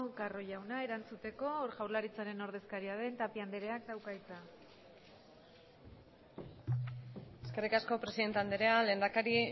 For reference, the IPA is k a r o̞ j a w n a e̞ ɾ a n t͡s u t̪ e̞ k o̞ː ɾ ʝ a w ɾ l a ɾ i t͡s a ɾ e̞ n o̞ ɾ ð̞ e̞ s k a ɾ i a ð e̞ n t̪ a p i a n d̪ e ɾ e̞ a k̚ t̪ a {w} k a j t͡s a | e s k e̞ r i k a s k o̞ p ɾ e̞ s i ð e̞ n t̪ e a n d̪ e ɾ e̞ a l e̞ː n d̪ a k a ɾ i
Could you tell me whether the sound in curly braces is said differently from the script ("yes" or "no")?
no